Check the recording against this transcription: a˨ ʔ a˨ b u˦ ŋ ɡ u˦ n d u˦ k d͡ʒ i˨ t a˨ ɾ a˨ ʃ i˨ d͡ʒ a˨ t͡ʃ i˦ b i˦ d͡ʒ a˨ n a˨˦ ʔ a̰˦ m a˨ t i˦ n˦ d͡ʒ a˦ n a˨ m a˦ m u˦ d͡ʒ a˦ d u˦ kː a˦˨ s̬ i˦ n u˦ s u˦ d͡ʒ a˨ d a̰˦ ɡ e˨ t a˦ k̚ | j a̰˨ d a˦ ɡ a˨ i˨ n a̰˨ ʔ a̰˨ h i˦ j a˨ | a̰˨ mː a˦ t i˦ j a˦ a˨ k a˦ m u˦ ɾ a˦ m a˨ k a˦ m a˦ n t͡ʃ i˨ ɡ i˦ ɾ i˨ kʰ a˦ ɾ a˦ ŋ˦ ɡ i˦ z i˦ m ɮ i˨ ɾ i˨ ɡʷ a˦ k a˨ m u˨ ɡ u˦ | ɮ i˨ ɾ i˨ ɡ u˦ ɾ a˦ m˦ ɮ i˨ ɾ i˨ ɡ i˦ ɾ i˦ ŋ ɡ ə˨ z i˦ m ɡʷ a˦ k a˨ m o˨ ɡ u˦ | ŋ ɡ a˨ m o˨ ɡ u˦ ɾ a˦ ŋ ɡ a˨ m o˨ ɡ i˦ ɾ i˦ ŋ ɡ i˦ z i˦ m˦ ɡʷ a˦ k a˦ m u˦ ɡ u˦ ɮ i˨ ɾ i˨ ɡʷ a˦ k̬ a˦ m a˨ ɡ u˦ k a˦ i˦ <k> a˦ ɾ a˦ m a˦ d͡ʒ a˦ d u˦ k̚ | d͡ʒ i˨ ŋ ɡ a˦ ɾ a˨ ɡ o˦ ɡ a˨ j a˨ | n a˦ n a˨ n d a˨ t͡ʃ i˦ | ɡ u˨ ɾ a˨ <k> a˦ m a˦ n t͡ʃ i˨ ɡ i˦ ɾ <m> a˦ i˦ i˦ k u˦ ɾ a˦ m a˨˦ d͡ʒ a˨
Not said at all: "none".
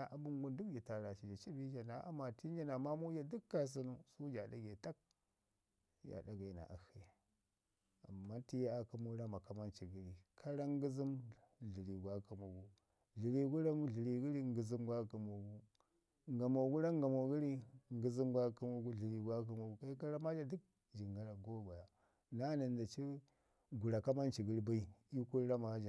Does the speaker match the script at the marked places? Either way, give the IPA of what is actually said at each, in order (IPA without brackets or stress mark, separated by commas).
k, k, b